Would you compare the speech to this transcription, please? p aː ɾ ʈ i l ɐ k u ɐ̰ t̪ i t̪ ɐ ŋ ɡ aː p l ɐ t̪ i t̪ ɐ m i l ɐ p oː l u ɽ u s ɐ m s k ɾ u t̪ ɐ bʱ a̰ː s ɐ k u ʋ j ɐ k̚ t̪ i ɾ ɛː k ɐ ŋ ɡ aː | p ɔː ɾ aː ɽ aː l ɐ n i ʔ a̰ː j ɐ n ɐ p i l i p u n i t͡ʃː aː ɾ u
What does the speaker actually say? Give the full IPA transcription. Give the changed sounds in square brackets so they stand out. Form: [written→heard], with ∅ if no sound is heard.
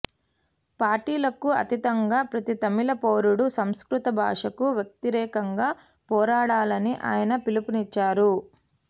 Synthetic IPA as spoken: p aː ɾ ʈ [i→iː] l ɐ k u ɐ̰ t̪ i t̪ ɐ ŋ ɡ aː p [l→ɾ] ɐ t̪ i t̪ ɐ m i l ɐ p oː [l→ɾ] u ɽ u s ɐ m s k ɾ u t̪ ɐ bʱ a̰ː [s→ʂ] ɐ k u ʋ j ɐ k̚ t̪ i ɾ ɛː k ɐ ŋ ɡ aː | p ɔː ɾ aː ɽ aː l ɐ n i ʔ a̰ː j ɐ n ɐ p i l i p u n i t͡ʃː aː ɾ u